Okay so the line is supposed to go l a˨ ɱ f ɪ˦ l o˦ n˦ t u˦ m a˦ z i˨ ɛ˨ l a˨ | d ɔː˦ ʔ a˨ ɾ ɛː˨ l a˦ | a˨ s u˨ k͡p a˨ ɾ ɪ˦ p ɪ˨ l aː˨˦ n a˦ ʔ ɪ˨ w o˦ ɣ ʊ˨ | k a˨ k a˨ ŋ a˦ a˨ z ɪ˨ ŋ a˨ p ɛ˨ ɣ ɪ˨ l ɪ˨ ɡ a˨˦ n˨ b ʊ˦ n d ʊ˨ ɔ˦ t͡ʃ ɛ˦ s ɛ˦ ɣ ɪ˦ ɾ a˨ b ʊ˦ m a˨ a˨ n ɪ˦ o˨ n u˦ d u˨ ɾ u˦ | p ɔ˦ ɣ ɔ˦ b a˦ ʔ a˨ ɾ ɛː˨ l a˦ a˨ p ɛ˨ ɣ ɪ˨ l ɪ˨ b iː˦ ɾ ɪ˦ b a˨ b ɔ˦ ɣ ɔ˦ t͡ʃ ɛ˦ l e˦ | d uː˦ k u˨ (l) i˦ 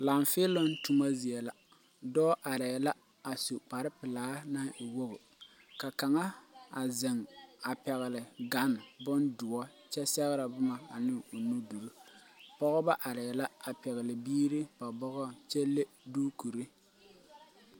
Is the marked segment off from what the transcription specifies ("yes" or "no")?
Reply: yes